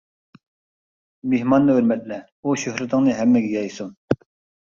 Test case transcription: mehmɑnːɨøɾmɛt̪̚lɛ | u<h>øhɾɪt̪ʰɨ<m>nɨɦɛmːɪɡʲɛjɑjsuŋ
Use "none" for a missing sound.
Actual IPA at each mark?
ʃ, ŋ

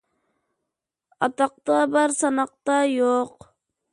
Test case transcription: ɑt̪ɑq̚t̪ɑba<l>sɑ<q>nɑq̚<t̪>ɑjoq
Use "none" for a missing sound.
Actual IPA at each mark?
ɾ, none, t̪

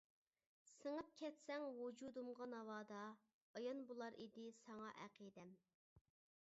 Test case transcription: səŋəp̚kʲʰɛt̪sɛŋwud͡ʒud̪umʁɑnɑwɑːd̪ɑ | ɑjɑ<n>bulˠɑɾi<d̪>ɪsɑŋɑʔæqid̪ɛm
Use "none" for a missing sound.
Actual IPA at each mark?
n, d̪

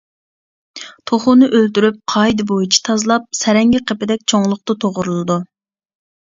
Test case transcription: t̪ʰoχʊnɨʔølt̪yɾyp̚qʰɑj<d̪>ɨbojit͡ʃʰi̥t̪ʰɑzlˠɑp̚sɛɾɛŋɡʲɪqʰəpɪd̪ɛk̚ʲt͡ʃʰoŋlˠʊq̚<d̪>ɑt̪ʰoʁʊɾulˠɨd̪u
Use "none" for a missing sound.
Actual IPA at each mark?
d̪, t̪

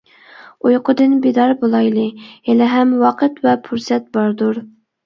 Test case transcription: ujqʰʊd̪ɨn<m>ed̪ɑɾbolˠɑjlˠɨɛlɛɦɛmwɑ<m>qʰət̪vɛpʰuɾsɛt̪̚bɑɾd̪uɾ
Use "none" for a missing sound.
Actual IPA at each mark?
b, none

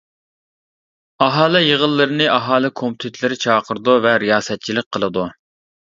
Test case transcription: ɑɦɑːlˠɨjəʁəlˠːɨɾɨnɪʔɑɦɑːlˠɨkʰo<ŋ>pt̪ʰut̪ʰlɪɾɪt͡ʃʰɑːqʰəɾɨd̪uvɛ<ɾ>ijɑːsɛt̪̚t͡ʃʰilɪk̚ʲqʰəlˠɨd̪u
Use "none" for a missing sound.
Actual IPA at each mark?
m, ɾ

